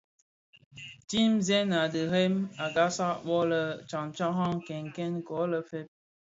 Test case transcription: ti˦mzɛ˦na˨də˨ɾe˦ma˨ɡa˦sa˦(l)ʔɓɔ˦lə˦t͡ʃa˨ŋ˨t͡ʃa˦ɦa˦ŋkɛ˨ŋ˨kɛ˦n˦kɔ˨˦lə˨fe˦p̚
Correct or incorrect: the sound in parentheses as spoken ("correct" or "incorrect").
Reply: incorrect